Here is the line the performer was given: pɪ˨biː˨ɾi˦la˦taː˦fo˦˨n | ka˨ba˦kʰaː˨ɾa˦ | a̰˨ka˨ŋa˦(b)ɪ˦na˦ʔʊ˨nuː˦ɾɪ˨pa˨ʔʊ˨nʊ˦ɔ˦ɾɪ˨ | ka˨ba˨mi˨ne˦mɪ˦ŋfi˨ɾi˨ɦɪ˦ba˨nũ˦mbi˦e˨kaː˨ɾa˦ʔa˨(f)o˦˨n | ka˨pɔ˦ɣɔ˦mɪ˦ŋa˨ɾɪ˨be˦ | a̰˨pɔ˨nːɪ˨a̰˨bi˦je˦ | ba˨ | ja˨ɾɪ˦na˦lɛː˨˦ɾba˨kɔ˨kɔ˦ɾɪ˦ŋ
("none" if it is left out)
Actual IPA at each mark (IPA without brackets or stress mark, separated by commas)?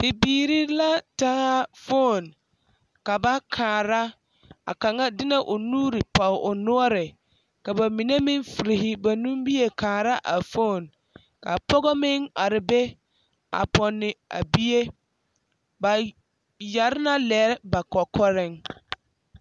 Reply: d, f